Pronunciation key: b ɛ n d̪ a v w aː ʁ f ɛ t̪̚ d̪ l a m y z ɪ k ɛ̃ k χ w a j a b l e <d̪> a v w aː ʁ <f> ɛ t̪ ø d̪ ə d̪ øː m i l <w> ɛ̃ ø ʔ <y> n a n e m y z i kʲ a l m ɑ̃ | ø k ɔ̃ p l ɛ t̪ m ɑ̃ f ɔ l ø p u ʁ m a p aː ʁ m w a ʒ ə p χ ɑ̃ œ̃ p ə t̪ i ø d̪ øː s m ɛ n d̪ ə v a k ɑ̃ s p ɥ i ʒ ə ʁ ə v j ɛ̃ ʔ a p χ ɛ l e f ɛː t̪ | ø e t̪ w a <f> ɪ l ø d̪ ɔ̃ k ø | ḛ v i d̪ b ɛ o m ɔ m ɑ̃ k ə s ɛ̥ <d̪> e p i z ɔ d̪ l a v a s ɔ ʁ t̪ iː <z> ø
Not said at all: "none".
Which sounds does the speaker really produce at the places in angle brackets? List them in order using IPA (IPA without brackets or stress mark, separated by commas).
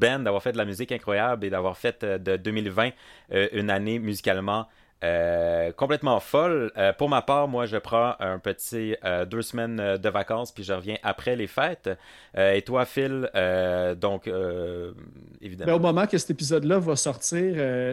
d̪, f, v, y, f, t̪, ʁ